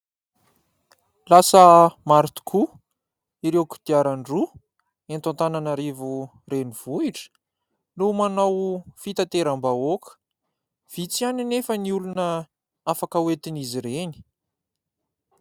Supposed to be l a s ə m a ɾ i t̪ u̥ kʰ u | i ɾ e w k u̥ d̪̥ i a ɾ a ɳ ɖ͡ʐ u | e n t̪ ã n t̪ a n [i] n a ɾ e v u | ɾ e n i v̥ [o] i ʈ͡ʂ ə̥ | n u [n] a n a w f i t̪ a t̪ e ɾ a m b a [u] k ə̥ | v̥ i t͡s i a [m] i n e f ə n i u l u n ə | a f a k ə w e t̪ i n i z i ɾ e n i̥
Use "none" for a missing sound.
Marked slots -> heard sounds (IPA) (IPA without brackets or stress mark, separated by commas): a, u, m, o, n